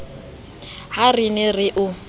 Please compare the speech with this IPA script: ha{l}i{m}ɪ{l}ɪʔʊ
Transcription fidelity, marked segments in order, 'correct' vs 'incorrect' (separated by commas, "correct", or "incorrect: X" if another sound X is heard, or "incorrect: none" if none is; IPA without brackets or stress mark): incorrect: r, incorrect: n, incorrect: r